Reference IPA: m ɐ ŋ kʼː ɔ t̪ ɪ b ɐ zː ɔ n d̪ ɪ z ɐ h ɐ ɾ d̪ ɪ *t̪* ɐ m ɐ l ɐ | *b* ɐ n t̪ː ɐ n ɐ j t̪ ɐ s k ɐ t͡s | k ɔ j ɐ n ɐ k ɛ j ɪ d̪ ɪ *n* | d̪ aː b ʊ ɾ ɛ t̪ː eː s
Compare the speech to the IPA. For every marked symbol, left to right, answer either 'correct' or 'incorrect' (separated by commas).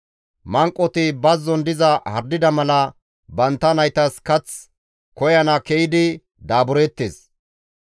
incorrect, correct, incorrect